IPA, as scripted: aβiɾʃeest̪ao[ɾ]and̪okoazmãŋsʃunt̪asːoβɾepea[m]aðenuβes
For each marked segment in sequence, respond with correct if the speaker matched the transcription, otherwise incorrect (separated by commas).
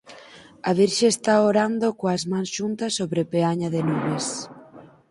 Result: correct, incorrect